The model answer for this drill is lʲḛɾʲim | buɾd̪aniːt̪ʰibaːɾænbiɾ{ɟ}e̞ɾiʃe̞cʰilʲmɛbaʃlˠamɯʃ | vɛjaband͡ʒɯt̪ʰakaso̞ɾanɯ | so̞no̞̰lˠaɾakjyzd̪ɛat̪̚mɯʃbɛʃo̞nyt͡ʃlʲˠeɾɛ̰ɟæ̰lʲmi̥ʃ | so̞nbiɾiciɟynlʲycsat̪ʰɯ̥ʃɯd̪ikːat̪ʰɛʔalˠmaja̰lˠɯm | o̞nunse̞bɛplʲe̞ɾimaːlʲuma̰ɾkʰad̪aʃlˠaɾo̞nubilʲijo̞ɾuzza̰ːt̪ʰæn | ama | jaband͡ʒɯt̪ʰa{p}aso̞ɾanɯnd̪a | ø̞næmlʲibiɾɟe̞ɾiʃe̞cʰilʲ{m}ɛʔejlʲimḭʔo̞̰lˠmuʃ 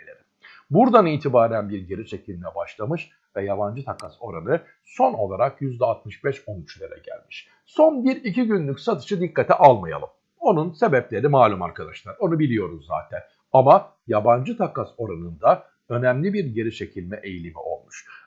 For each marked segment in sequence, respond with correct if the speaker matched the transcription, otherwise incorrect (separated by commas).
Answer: correct, incorrect, correct